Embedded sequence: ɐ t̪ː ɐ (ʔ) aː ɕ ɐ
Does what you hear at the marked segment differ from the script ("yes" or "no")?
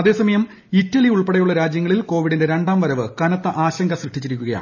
no